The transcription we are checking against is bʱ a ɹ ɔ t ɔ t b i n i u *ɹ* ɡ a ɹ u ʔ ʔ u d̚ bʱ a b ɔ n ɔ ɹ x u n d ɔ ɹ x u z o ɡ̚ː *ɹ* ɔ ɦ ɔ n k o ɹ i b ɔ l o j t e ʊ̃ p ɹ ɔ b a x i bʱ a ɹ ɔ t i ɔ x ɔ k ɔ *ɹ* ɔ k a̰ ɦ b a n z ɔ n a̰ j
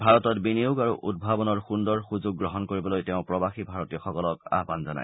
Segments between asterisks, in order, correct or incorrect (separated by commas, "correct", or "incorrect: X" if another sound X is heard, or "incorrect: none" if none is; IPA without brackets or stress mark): incorrect: none, correct, incorrect: l